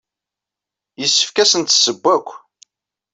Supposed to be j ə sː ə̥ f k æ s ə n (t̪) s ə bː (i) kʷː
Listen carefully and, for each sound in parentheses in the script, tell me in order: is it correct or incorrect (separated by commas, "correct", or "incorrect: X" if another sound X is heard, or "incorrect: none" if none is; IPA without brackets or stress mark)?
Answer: correct, incorrect: æ